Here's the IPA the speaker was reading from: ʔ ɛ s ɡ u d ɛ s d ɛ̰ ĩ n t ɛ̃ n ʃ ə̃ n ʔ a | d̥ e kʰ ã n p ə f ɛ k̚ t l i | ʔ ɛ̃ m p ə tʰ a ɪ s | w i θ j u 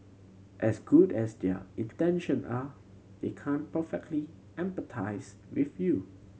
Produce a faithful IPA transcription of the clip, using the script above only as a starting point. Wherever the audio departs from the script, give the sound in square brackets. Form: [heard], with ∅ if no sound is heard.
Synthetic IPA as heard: ʔ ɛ s ɡ u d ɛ s d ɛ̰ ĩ n t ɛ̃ n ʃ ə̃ n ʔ a | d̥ e kʰ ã n p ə f ɛ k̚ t l i | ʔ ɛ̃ m p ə tʰ a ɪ s | w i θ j u

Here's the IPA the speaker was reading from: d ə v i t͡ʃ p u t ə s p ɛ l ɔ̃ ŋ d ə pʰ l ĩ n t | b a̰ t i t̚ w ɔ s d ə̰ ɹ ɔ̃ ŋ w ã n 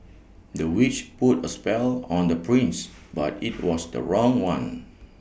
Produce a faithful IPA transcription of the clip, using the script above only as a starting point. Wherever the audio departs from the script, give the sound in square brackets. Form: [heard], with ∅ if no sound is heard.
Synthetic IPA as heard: d ə [w] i t͡ʃ p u t ə s p ɛ l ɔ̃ [n] d ə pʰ [ɹ] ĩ n [s] | b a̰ t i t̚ w ɔ s d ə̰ ɹ ɔ̃ ŋ w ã n

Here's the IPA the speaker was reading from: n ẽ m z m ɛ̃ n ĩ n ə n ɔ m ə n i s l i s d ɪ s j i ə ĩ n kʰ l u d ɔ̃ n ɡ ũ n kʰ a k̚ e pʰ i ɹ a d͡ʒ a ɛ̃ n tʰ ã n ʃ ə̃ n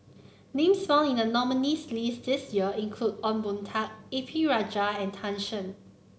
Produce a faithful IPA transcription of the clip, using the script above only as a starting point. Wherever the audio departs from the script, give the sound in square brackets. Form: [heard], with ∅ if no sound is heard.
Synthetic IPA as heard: n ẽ m [s] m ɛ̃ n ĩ n ə n ɔ m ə n i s l i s d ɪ s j i ə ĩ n kʰ l u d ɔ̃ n [b] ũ n [tʰ] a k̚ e pʰ i ɹ a d͡ʒ a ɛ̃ n tʰ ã n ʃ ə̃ n

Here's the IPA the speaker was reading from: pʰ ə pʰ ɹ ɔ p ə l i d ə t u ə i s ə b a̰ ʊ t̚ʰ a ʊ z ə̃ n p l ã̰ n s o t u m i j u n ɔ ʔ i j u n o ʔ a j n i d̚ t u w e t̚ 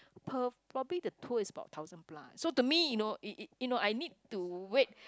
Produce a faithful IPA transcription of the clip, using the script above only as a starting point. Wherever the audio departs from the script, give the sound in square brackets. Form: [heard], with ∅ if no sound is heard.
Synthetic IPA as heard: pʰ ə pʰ ɹ ɔ [b] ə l i d ə [tʰ] u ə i s ə b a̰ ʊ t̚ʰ a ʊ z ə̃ n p l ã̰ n s o t u m i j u n [o] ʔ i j u n o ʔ a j n i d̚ t u w e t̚

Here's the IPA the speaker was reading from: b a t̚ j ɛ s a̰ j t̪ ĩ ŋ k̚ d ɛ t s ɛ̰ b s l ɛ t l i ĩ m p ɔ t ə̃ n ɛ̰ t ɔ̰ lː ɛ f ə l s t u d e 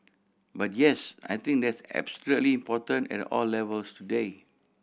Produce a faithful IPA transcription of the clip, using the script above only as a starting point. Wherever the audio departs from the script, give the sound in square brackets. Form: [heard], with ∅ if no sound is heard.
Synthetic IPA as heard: b a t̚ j ɛ s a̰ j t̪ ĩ ŋ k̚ d ɛ t s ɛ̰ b s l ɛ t l i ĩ m p ɔ t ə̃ n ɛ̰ t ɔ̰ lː ɛ [v] ə l s t u d e

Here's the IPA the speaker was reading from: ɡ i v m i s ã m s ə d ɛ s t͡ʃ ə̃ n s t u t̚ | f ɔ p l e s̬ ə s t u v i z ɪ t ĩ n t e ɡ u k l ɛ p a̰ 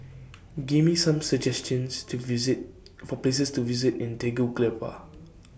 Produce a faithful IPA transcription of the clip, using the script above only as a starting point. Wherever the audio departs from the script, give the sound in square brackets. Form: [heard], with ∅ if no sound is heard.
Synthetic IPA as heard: ɡ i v m i s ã m s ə [d͡ʒ] ɛ s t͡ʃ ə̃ n s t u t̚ | f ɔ p l e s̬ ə s t u v i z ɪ t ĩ n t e ɡ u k l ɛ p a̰

